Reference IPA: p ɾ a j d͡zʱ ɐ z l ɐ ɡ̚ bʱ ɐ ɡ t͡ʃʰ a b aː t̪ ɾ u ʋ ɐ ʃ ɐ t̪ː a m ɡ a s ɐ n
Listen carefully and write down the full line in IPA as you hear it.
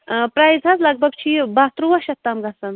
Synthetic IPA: p ɾ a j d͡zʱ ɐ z l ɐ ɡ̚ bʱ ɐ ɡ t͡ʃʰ i b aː t̪ ɾ u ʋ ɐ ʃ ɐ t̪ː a m ɡ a s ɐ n